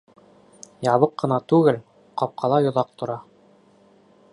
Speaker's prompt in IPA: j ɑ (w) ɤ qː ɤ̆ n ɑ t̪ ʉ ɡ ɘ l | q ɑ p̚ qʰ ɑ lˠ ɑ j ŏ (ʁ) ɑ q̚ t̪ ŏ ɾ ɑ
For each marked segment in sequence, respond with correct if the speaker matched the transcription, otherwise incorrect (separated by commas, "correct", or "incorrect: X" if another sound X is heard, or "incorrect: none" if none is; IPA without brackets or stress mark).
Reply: incorrect: β, incorrect: ð